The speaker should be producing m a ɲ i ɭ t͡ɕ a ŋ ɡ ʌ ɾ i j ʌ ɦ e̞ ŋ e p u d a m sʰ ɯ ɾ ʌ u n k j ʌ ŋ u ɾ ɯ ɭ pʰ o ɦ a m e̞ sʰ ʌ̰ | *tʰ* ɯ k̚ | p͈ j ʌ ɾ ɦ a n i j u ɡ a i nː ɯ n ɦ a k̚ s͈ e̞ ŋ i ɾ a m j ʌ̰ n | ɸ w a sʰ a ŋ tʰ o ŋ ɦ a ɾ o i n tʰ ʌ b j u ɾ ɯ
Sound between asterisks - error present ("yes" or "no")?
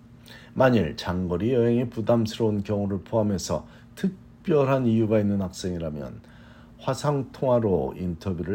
no